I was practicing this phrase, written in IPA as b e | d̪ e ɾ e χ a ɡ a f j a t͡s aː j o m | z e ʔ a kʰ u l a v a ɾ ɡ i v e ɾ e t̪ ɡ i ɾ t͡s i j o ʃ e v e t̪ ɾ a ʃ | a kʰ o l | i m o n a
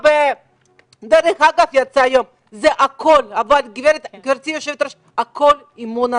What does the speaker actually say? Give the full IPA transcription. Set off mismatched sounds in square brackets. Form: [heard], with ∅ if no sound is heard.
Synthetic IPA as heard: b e | d̪ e ɾ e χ a ɡ a f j a t͡s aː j o m | z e ʔ a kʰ [o] l a v a [l] ɡ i v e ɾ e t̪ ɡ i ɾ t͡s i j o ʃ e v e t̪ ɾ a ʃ | a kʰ o l | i m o n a